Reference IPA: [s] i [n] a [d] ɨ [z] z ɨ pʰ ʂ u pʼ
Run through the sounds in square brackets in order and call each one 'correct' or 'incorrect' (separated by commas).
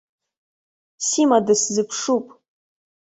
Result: correct, incorrect, correct, incorrect